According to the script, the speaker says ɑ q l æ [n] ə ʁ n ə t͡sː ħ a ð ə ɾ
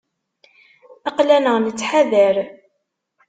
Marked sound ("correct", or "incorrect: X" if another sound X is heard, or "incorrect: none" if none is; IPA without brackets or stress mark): correct